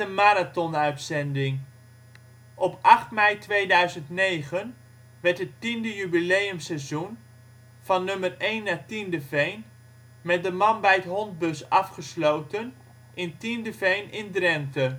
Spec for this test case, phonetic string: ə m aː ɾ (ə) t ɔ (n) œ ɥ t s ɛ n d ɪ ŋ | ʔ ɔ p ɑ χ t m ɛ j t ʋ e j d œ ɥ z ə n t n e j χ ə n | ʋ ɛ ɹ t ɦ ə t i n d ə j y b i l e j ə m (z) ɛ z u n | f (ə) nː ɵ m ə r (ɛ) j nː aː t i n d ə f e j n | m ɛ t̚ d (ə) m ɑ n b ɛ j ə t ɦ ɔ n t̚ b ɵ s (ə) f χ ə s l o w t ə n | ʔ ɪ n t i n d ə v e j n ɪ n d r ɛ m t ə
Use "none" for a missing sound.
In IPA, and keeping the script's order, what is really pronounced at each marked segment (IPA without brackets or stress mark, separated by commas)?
a, n, s, ɑ, e, ə, ɑ